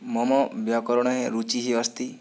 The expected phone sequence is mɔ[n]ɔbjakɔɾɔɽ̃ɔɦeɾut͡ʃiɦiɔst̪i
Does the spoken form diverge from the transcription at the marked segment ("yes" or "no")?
yes